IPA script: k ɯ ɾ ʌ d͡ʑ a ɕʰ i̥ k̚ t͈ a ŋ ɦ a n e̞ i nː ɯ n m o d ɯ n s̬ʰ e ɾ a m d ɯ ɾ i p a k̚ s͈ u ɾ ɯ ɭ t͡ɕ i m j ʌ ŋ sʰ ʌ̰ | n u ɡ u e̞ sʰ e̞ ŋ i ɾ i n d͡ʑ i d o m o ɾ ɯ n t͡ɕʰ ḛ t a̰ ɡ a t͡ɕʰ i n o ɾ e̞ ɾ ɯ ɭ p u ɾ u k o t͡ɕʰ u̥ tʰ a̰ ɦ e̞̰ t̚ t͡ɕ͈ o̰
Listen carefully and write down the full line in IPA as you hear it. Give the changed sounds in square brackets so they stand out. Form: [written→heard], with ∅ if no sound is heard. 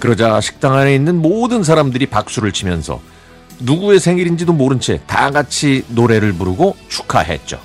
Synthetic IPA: k ɯ ɾ ʌ d͡ʑ a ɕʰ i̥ k̚ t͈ a ŋ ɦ a n e̞ i nː ɯ n m o d ɯ n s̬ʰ [e→a] ɾ a m d ɯ ɾ i p a k̚ s͈ u ɾ ɯ ɭ [t͡ɕ→t͡ɕʰ] i m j ʌ [ŋ→n] sʰ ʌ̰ | n u ɡ u e̞ sʰ e̞ ŋ i ɾ i n d͡ʑ i d o m o ɾ ɯ n t͡ɕʰ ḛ t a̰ ɡ a t͡ɕʰ i n o ɾ e̞ ɾ ɯ ɭ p u ɾ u [k→ɡ] o t͡ɕʰ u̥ [tʰ→kʰ] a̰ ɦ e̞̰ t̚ t͡ɕ͈ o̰